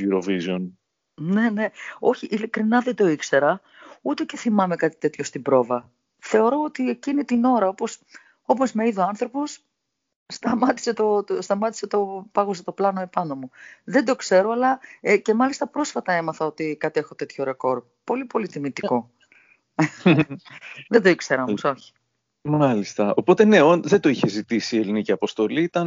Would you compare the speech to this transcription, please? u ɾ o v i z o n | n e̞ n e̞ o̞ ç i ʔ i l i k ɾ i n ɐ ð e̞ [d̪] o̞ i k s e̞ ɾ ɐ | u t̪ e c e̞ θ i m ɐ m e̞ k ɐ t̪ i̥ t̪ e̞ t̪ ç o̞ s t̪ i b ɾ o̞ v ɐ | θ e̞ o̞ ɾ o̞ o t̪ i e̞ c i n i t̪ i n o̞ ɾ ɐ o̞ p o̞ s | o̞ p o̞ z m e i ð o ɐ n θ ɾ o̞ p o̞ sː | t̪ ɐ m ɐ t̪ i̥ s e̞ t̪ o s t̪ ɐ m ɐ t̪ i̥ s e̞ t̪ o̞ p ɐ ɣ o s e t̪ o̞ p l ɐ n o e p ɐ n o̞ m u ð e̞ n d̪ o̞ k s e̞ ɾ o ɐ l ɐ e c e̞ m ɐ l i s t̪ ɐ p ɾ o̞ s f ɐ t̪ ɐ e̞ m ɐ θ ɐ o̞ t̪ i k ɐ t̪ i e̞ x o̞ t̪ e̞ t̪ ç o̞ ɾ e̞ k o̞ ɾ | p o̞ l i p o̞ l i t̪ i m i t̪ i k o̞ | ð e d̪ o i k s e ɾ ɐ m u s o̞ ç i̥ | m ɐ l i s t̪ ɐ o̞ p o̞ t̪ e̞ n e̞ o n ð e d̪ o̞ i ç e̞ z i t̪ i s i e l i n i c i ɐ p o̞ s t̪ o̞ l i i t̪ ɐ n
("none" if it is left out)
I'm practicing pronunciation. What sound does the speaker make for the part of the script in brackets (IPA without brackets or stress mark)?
d̪